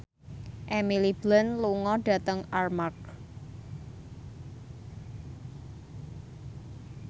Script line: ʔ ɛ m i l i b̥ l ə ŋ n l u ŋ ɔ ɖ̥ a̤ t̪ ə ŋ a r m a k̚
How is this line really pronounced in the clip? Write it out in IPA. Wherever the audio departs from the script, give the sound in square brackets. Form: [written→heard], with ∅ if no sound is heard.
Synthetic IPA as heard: ʔ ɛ m i l i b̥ l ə [ŋ→∅] n l u ŋ ɔ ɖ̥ a̤ t̪ ə ŋ a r m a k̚